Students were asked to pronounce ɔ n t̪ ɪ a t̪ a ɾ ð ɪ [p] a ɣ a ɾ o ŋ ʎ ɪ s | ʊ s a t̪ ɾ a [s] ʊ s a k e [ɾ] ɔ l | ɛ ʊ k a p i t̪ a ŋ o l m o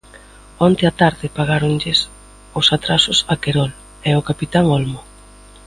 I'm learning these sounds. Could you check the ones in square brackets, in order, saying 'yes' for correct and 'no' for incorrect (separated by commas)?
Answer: yes, yes, yes